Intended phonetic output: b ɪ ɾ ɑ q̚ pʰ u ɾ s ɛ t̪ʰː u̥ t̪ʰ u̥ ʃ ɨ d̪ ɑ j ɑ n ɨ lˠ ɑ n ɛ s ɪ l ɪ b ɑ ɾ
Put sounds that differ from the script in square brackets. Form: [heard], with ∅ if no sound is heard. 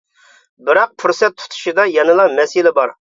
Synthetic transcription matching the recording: b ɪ ɾ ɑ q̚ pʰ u ɾ s ɛ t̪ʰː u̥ t̪ʰ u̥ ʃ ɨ d̪ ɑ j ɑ n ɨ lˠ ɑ [m] ɛ s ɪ l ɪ b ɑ ɾ